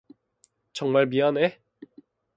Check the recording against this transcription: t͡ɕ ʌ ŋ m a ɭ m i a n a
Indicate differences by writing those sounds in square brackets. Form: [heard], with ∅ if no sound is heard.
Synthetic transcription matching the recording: t͡ɕ ʌ ŋ m a ɭ m i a n [e]